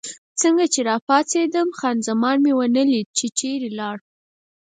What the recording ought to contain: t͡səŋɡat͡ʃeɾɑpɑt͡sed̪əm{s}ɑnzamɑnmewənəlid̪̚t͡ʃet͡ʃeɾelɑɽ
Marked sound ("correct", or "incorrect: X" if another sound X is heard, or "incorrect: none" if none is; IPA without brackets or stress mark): incorrect: x